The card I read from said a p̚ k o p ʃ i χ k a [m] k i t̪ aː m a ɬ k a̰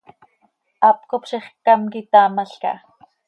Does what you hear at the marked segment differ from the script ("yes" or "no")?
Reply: no